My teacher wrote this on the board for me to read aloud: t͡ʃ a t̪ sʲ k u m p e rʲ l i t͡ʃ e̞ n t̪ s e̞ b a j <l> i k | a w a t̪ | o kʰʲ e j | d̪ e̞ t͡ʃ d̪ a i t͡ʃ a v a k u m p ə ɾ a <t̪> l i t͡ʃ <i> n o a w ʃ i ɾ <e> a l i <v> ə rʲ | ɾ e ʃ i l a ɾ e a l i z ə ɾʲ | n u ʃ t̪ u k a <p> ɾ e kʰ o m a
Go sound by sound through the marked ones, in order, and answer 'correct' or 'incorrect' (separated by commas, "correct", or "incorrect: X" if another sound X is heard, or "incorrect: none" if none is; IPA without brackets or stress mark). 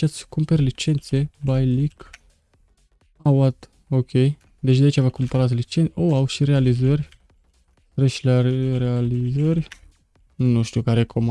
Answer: correct, correct, incorrect: e, correct, incorrect: z, incorrect: none